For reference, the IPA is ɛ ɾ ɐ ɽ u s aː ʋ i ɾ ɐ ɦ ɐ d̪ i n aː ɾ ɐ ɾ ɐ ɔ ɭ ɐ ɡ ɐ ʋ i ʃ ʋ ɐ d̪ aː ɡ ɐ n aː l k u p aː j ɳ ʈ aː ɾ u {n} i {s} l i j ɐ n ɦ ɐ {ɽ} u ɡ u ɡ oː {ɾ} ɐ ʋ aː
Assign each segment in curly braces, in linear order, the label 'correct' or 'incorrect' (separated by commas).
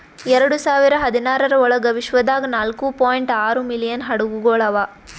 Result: incorrect, incorrect, correct, incorrect